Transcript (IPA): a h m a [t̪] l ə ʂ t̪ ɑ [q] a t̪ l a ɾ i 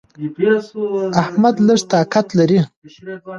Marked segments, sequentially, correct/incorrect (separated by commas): incorrect, incorrect